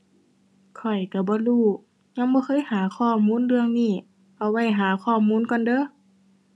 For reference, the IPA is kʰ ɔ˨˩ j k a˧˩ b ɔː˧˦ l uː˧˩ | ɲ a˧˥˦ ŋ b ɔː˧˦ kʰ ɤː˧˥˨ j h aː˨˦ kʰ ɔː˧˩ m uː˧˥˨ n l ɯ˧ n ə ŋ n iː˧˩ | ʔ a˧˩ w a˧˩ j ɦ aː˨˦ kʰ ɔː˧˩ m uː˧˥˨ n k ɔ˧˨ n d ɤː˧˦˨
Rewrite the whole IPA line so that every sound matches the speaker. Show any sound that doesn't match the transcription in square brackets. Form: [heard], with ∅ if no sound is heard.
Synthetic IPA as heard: kʰ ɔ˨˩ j k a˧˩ b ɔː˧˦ l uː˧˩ | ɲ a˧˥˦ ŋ b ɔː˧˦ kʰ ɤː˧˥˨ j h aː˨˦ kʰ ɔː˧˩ m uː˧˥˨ n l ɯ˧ [∅] ə ŋ n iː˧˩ | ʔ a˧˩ w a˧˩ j ɦ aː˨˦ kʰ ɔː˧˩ m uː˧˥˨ n k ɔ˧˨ n d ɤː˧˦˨